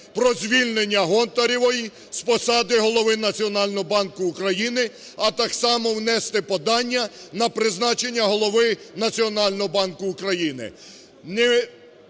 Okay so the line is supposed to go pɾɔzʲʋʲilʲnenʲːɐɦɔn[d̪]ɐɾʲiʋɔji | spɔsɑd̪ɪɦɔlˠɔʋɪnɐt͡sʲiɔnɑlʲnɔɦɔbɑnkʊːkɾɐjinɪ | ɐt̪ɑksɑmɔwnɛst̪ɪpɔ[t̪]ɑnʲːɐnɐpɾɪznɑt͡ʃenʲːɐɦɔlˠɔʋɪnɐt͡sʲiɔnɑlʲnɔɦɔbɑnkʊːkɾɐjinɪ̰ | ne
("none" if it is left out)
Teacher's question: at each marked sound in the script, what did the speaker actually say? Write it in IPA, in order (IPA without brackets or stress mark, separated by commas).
t̪, d̪